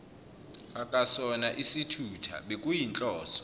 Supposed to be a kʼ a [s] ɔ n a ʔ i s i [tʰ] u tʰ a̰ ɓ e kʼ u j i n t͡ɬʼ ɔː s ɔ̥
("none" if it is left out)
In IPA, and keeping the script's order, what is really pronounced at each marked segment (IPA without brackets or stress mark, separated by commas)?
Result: s, tʰ